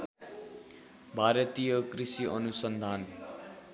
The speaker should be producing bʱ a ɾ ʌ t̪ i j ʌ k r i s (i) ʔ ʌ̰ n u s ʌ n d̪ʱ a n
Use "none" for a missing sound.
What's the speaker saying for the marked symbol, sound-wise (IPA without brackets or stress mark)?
i